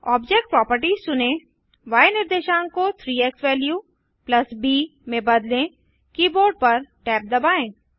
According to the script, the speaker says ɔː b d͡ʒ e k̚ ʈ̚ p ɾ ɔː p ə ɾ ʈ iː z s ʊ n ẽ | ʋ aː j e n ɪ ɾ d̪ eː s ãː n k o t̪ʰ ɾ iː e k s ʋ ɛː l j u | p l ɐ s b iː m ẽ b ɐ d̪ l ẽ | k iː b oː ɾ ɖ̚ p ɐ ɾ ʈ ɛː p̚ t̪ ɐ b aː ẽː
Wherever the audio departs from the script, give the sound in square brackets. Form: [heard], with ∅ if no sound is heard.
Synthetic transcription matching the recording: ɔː b d͡ʒ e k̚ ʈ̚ p ɾ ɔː p ə ɾ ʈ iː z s ʊ n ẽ | ʋ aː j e n ɪ ɾ d̪ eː [ʃ] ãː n k o t̪ʰ ɾ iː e k s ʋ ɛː l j u | p l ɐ s b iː m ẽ b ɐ d̪ l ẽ | k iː b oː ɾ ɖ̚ p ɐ ɾ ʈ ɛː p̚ [d̪] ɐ b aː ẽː